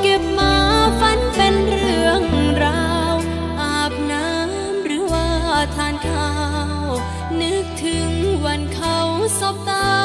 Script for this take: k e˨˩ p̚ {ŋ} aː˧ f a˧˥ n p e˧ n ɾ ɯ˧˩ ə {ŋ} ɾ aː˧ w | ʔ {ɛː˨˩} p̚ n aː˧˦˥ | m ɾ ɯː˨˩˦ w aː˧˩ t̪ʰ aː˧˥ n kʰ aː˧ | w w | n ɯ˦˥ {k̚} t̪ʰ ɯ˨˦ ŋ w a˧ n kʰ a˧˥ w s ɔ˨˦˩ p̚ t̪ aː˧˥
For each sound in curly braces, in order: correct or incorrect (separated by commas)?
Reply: incorrect, correct, incorrect, correct